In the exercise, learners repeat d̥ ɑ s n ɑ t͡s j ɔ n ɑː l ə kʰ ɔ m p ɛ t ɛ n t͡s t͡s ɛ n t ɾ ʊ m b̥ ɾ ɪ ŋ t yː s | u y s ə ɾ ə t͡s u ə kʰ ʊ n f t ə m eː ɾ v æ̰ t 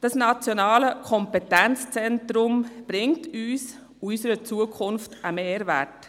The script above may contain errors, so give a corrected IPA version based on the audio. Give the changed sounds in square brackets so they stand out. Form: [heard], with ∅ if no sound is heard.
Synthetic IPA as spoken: d̥ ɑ s n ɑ t͡s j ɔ n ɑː l ə kʰ ɔ m p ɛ t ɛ n t͡s t͡s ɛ n t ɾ ʊ m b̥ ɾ ɪ ŋ t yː s | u y s ə ɾ ə t͡s u ə kʰ ʊ n f t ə m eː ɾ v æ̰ t